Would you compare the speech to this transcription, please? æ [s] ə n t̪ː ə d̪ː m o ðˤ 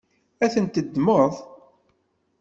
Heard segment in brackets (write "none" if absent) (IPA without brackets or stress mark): θ